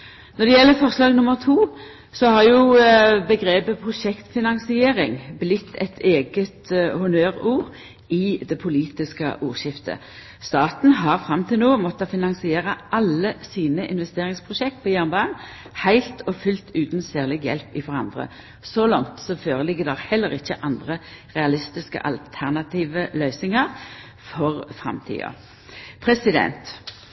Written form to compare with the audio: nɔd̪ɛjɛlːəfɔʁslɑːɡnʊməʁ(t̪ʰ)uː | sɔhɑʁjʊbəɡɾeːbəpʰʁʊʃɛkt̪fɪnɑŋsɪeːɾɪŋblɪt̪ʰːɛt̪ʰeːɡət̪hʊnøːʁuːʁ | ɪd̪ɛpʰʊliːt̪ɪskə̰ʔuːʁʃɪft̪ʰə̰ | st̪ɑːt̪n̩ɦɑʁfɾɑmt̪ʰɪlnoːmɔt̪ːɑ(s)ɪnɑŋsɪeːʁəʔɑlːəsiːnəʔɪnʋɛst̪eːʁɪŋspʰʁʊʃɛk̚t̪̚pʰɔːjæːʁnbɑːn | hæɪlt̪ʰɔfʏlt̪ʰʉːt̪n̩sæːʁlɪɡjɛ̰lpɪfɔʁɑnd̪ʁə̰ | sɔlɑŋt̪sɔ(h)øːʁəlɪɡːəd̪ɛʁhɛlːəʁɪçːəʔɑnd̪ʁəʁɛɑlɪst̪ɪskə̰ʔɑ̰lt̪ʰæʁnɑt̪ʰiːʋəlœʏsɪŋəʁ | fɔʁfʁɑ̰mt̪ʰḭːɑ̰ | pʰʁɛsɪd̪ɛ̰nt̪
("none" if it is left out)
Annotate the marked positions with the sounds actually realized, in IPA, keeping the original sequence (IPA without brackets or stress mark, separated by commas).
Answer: t̪ʰ, f, f